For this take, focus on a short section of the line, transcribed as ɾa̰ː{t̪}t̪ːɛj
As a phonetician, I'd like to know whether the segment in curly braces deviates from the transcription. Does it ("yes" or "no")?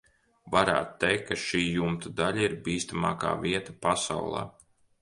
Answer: no